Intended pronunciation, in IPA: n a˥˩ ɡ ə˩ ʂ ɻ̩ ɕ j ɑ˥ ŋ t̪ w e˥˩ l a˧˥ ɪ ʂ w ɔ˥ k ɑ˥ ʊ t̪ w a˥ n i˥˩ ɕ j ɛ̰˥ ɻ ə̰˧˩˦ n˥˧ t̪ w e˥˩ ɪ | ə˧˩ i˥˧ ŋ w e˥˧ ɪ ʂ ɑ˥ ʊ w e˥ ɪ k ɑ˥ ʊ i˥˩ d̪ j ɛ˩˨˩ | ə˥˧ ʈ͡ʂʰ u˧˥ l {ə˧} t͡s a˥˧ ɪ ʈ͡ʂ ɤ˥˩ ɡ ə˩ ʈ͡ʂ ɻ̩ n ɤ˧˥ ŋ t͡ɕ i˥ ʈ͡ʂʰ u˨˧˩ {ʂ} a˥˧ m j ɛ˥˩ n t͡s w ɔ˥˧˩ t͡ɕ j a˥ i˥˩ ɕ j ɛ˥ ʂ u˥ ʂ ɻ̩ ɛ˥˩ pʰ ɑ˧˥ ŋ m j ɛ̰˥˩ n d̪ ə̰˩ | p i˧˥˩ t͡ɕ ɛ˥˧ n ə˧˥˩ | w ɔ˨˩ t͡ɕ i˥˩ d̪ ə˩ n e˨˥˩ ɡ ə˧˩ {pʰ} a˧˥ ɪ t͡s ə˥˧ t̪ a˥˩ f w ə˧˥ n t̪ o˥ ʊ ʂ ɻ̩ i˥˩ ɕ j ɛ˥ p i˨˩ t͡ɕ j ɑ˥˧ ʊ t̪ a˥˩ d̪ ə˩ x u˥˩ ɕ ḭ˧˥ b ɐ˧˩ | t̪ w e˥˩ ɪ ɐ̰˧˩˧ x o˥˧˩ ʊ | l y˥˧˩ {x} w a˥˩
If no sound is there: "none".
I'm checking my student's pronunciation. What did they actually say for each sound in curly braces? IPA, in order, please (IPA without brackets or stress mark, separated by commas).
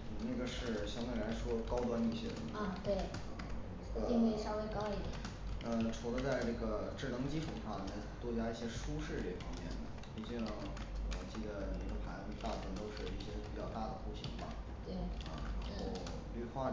ə˧, ʂ, pʰ, x